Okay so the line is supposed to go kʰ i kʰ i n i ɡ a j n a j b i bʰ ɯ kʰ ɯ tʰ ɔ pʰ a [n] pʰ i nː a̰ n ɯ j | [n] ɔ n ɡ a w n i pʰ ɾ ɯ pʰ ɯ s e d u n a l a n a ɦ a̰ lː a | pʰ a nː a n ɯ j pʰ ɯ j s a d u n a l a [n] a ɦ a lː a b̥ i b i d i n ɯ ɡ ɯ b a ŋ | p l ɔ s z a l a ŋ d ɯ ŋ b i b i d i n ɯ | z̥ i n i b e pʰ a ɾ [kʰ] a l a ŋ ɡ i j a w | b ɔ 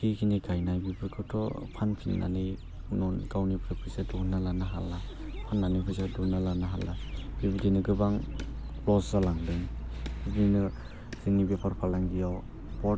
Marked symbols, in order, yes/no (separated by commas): yes, yes, yes, no